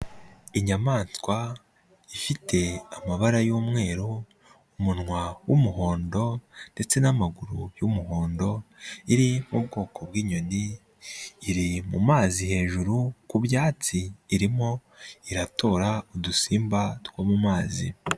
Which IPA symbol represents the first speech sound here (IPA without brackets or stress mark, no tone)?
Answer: i